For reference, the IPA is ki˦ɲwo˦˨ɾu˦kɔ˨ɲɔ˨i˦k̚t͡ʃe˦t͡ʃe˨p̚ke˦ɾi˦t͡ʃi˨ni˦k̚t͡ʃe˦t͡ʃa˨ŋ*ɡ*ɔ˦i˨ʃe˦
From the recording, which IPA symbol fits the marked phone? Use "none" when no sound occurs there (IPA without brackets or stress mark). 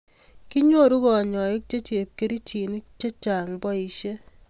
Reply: b